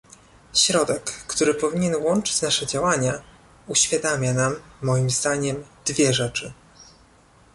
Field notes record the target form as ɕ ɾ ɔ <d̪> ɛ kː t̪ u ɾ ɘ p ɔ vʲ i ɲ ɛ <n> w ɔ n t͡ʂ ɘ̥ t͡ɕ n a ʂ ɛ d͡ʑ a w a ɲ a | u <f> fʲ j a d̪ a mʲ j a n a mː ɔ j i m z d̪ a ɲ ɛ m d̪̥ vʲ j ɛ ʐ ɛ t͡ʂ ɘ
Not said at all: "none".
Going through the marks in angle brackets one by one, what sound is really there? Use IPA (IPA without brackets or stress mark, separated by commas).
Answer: d̪, n, ɕ